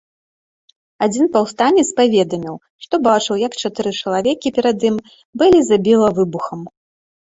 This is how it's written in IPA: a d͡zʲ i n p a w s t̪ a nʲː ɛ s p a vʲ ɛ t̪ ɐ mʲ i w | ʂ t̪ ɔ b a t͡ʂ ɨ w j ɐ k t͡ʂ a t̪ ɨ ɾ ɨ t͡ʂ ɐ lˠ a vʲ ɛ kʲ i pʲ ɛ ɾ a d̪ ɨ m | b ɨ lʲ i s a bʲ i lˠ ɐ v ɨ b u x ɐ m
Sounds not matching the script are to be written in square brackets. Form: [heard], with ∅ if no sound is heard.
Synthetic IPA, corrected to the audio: a d͡zʲ i n p a w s t̪ a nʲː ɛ s p a vʲ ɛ [d̪] ɐ mʲ i w | ʂ t̪ ɔ b a t͡ʂ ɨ w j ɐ k t͡ʂ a t̪ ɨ ɾ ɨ t͡ʂ ɐ lˠ a vʲ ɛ kʲ i pʲ ɛ ɾ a d̪ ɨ m | b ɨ lʲ i [z] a bʲ i lˠ ɐ v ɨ b u x ɐ m